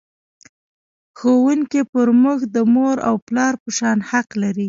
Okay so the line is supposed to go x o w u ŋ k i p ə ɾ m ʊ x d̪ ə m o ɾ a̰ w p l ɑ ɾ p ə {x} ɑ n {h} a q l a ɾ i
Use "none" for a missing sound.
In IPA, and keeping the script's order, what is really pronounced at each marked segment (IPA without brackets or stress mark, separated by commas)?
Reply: ʃ, h